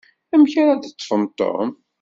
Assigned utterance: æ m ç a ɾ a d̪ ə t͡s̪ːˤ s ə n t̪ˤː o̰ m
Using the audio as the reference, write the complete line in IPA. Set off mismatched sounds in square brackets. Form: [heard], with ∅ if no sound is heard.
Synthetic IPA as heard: æ m ç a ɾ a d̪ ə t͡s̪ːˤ [f] ə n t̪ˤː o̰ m